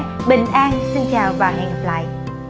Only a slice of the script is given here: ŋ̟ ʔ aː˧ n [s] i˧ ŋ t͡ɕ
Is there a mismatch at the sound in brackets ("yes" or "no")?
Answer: no